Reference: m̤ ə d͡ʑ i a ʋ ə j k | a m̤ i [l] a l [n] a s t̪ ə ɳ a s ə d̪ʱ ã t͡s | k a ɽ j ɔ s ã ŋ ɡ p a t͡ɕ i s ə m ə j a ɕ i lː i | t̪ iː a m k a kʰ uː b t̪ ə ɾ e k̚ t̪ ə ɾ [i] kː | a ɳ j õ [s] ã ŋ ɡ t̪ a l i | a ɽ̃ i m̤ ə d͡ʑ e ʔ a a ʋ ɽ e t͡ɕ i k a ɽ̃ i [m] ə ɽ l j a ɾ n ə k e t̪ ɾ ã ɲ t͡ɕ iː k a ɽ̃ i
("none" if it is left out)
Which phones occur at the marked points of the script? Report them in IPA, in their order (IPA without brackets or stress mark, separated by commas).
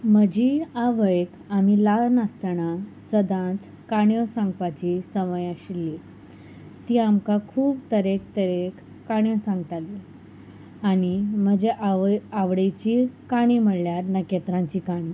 l, n, e, s, m